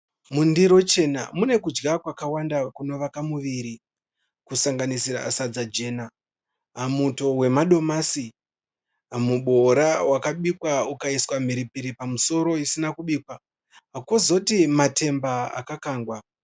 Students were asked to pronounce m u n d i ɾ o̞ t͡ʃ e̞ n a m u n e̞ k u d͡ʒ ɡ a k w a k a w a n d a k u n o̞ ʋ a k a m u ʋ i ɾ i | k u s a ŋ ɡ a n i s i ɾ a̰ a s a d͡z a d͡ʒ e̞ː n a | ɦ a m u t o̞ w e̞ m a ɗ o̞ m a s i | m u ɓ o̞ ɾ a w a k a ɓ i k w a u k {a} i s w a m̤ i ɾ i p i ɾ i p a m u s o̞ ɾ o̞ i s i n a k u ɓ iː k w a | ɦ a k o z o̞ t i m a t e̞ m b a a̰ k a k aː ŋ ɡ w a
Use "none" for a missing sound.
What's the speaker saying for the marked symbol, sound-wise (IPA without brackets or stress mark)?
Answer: a